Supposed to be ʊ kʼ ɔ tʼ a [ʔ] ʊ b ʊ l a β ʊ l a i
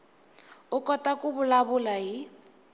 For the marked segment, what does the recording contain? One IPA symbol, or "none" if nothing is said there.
k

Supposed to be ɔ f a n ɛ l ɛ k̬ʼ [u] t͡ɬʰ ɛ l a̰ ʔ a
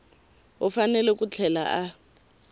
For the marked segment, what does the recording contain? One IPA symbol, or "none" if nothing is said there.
u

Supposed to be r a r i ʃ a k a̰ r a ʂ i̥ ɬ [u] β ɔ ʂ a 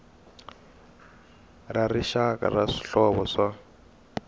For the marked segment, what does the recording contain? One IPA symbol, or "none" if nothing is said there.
ɔ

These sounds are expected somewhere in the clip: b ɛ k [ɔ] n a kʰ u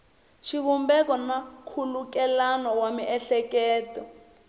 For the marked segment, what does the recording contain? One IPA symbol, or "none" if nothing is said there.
ɔ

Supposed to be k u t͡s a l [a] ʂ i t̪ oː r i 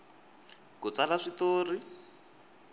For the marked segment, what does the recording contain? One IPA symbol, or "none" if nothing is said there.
a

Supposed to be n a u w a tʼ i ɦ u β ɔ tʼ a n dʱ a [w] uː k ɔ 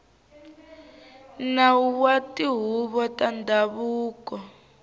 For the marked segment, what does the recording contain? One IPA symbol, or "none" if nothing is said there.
β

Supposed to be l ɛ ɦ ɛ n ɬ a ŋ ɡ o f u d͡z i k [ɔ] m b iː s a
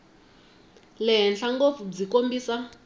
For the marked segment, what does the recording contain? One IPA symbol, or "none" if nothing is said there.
o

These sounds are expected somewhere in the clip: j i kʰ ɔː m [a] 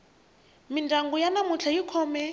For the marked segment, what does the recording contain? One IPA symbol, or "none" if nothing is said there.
ɛ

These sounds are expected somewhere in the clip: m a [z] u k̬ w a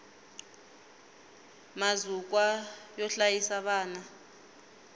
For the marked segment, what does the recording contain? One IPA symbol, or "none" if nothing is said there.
z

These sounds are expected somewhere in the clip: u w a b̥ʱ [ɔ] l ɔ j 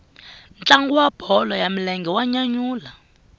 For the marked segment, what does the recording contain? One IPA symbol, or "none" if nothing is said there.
ɔ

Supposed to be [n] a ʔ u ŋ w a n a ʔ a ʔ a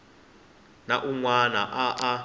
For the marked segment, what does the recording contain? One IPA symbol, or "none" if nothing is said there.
n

